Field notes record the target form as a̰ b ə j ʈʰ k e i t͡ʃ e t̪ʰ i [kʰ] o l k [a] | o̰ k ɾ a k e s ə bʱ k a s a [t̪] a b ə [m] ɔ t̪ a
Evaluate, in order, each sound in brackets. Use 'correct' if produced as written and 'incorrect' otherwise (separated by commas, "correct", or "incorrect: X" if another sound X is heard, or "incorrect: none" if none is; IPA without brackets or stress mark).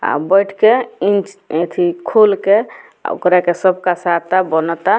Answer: correct, incorrect: e, correct, incorrect: n